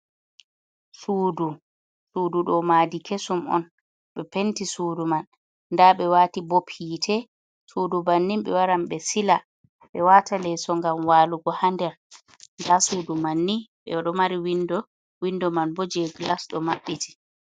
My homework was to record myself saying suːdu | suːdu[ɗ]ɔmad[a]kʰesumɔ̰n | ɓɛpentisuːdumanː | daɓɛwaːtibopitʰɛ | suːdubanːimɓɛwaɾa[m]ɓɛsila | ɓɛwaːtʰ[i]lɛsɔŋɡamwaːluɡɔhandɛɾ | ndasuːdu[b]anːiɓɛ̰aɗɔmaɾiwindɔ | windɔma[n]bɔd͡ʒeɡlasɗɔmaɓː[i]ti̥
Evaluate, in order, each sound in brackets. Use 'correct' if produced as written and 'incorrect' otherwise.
correct, incorrect, correct, incorrect, incorrect, correct, correct

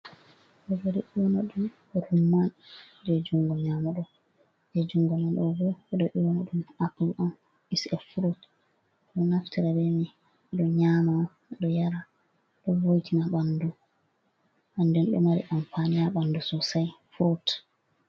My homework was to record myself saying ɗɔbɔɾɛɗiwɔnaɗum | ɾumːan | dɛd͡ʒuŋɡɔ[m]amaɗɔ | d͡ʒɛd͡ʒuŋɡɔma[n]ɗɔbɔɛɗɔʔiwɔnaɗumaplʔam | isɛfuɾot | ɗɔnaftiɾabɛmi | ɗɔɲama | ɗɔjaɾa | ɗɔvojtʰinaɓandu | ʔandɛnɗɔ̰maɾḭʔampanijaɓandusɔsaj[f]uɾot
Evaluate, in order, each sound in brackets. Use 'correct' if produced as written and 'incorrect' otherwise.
incorrect, correct, correct

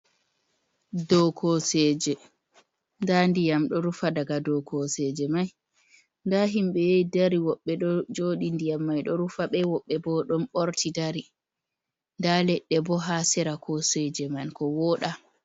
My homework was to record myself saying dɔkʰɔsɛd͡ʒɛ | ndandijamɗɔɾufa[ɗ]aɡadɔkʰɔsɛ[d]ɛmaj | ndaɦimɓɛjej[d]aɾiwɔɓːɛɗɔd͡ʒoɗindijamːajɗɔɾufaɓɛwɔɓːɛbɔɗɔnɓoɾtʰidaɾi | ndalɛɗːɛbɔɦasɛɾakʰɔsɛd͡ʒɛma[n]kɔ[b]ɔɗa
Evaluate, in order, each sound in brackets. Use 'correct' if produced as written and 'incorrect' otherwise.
incorrect, incorrect, correct, correct, incorrect

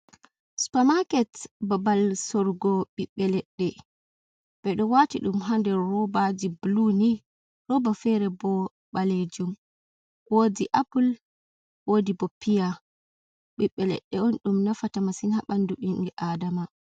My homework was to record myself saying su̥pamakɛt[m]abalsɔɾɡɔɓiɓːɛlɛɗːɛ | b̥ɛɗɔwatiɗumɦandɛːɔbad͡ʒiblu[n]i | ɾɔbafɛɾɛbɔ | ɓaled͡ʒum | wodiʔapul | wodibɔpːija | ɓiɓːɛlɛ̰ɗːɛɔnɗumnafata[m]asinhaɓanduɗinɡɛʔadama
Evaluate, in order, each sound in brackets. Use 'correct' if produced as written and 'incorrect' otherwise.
incorrect, correct, correct

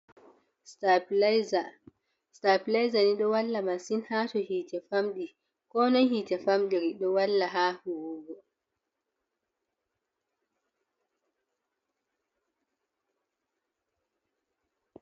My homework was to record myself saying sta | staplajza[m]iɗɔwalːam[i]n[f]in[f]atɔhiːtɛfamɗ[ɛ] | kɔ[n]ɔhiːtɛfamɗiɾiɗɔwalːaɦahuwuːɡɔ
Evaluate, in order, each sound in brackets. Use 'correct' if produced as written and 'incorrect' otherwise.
incorrect, incorrect, incorrect, incorrect, incorrect, correct

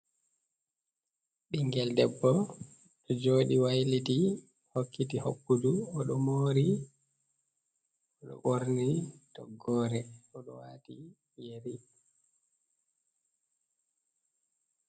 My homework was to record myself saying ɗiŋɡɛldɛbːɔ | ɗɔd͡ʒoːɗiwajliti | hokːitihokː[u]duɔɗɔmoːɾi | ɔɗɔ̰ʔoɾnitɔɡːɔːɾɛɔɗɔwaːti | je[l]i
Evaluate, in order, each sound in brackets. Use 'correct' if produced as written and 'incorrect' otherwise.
correct, incorrect

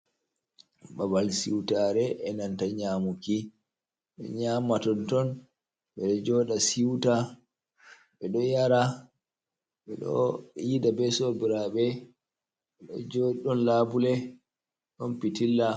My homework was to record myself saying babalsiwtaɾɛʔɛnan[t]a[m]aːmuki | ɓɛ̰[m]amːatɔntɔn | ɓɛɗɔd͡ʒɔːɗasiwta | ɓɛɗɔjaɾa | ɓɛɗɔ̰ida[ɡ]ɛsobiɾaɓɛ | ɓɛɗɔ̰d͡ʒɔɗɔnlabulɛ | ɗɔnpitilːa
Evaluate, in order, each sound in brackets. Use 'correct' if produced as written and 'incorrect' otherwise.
correct, incorrect, incorrect, incorrect

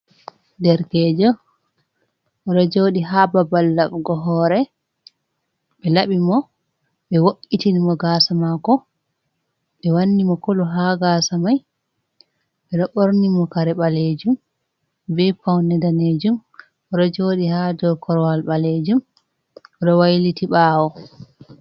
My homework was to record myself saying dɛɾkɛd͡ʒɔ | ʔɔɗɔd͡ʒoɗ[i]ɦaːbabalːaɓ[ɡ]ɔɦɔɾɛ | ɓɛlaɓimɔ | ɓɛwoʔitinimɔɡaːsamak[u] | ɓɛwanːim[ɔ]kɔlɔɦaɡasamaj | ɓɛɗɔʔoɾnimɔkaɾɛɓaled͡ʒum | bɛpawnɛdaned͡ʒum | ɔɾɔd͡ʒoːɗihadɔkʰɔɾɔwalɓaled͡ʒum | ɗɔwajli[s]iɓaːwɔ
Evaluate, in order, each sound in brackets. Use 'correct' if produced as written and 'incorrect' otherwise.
correct, correct, incorrect, correct, incorrect

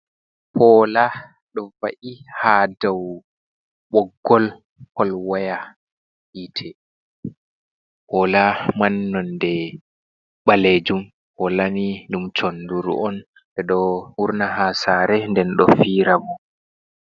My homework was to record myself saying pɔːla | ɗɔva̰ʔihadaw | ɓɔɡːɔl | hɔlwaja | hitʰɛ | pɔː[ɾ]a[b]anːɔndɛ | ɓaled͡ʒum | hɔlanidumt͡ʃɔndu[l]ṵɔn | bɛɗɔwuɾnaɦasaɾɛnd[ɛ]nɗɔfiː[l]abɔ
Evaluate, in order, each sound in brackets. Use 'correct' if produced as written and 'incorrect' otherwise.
incorrect, incorrect, incorrect, correct, incorrect

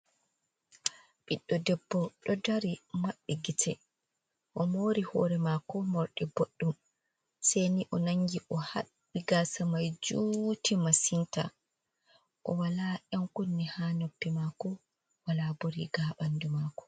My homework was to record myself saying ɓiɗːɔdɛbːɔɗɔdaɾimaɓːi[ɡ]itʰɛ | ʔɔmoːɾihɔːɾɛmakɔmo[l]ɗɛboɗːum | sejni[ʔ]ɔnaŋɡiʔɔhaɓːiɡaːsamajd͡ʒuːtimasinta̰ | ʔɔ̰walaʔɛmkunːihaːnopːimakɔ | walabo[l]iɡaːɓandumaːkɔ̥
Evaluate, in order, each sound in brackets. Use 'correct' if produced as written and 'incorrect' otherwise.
correct, incorrect, correct, incorrect

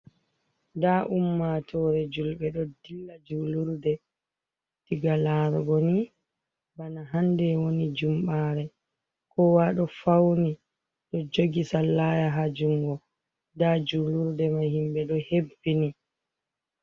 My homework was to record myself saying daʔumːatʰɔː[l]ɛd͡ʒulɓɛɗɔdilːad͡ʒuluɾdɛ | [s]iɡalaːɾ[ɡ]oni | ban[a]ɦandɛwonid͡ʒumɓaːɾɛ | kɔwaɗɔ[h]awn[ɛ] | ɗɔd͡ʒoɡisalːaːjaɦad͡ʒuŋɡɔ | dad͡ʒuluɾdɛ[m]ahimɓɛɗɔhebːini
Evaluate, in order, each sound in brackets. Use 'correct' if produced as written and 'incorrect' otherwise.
incorrect, incorrect, correct, correct, incorrect, incorrect, correct

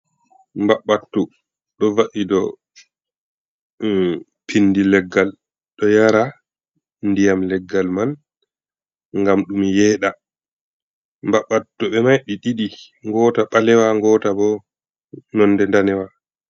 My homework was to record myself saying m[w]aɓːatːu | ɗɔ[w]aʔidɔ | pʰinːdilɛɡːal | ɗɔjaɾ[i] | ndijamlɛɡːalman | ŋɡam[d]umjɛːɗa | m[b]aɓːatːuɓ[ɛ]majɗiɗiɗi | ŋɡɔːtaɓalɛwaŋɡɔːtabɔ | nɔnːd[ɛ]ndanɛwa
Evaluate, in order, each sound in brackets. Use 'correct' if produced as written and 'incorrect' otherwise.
incorrect, incorrect, incorrect, incorrect, correct, correct, correct

